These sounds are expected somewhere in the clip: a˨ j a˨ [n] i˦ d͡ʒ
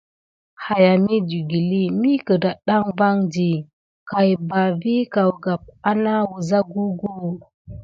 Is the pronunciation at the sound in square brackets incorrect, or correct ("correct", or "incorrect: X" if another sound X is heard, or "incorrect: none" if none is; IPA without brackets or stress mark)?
incorrect: m